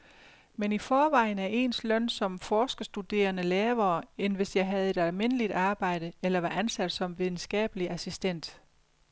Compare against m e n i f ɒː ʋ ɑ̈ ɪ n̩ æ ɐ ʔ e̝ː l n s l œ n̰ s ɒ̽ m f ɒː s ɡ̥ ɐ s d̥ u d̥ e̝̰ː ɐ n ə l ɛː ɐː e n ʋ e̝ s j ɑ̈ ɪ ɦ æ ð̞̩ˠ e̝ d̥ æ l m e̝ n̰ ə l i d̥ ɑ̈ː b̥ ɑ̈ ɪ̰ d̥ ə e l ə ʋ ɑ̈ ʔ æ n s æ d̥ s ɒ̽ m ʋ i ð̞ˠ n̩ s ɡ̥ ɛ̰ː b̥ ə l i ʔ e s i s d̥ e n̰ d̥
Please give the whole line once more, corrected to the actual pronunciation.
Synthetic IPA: m e n i f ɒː ʋ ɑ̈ ɪ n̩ æ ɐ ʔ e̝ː n s l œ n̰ s ɒ̽ m f ɒː s ɡ̥ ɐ s d̥ u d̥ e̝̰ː ɐ n ə l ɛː ɐː e n ʋ e̝ s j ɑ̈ ɪ ɦ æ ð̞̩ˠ e̝ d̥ æ l m e̝ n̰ ə l i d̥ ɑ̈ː b̥ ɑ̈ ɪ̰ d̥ ə e l ɐ ʋ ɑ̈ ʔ æ n s æ d̥ s ɒ̽ m ʋ i ð̞ˠ n̩ s ɡ̥ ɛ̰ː b̥ ə l i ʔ æ s i s d̥ e n̰ d̥

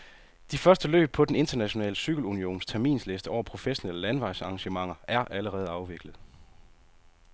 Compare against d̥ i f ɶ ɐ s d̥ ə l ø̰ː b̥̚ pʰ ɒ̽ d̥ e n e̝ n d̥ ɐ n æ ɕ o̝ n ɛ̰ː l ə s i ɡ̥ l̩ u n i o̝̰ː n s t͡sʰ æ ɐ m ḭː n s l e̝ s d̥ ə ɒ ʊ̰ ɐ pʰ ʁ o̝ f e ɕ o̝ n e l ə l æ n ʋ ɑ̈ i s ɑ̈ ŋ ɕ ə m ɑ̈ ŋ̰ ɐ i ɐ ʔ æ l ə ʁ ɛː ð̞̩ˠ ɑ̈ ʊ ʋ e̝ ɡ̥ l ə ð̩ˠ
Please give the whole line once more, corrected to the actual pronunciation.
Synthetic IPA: d̥ i f ɶ ɐ s d̥ ə l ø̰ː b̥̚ pʰ ɒ̽ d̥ e n e̝ n d̥ ɐ n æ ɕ o̝ n ɛ̰ː l ə s y ɡ̥ l̩ u n i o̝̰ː n s t͡sʰ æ ɐ m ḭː n s l e̝ s d̥ ə ɒ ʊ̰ ɐ pʰ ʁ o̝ f e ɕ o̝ n e l ə l æ n ʋ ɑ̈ ɪ s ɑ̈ ŋ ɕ ə m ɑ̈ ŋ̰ ɐ æ ɐ ʔ æ l ə ʁ ɛː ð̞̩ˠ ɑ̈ ʊ ʋ e̝ ɡ̥ l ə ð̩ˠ

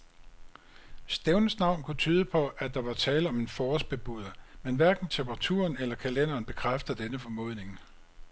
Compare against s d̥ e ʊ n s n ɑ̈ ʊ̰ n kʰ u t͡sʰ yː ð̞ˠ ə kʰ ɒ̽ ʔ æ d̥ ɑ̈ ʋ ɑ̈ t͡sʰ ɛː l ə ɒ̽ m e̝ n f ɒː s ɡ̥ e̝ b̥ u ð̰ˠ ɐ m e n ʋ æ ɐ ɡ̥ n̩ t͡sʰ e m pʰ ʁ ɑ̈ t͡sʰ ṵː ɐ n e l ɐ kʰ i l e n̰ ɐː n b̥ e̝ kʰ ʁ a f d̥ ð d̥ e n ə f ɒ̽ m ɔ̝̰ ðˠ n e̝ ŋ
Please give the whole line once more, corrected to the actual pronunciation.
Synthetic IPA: s d̥ e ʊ n s n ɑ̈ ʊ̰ n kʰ u t͡sʰ yː ð̞ˠ ə pʰ ɒ̽ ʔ æ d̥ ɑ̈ ʋ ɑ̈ t͡sʰ ɛː l ə ɒ̽ m e̝ n f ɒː s b̥ e̝ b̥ u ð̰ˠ ɐ m e n ʋ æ ɐ ɡ̥ n̩ t͡sʰ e m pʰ ʁ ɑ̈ t͡sʰ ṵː ɐ n e l ɐ kʰ æ l e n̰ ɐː n b̥ e̝ kʰ ʁ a f d̥ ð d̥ e n ə f ɒ̽ m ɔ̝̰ ðˠ n e̝ ŋ

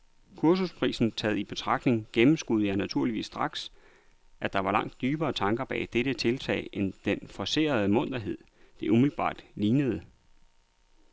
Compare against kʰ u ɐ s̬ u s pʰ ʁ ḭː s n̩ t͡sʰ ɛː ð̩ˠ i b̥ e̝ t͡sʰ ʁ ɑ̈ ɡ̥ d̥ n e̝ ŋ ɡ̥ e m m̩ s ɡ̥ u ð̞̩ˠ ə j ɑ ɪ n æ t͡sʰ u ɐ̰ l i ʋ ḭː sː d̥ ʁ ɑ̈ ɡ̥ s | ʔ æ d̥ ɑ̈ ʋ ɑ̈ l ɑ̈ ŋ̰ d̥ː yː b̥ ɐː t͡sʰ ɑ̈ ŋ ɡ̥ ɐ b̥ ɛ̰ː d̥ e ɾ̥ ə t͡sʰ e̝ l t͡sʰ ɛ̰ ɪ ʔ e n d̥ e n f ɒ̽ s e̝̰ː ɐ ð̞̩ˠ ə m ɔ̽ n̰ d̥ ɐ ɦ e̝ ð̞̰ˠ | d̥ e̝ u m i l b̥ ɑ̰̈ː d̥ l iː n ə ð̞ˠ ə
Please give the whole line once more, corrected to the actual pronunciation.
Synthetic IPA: kʰ u ɐ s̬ u s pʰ ʁ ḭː s n̩ t͡sʰ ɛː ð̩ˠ i b̥ e̝ t͡sʰ ʁ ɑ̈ ɡ̥ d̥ n e̝ ŋ ɡ̥ e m m̩ s ɡ̥ u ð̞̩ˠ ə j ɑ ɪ n æ t͡sʰ u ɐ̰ l i ʋ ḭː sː d̥ ʁ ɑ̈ ɡ̥ s | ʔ æ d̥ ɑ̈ ʋ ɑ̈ l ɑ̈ ŋ̰ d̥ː yː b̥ ɐː t͡sʰ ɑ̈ ŋ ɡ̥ ɐ b̥ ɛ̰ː d̥ e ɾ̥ ə t͡sʰ e̝ l t͡sʰ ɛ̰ ɪ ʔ e n d̥ e n f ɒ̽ s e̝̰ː ɐ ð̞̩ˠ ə m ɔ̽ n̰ d̥ ɐ ɦ e̝ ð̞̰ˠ | d̥ e̝ u m i l b̥ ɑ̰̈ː d̥ l iː n ə ð̞ˠ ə

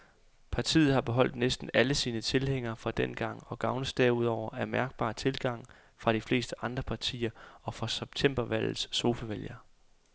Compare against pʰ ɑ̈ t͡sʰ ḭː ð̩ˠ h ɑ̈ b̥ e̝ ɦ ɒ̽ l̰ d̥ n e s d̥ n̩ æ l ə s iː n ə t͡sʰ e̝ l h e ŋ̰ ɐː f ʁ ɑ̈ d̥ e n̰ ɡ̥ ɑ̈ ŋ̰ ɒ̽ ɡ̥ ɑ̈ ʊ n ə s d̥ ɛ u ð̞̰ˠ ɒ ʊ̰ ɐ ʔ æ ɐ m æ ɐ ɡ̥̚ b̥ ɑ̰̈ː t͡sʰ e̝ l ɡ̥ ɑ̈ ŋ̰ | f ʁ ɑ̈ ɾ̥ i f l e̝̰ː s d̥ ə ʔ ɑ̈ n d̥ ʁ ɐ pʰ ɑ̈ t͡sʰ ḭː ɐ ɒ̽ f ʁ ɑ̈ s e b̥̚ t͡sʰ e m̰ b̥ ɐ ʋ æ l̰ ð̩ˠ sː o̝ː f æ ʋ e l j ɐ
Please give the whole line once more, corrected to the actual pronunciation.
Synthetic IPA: pʰ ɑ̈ t͡sʰ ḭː ð̩ˠ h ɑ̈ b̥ e̝ ɦ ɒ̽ l̰ d̥ n e s d̥ n̩ æ l ə s iː n ə t͡sʰ e̝ l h e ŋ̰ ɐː f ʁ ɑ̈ d̥ e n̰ ɡ̥ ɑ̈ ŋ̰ ɒ̽ ɡ̥ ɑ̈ ʊ n ə s d̥ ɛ u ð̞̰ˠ ɒ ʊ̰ ɐ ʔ æ ɐ m æ ɐ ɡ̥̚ b̥ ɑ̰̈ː t͡sʰ e̝ l ɡ̥ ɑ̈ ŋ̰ | f ʁ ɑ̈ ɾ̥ i f l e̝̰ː s d̥ ə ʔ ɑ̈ n d̥ ʁ ɐ pʰ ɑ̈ t͡sʰ ḭː ɐ ɒ̽ f ʁ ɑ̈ s e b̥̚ t͡sʰ e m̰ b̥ ɐ ʋ æ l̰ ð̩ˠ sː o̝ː f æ ʋ e l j ɐ

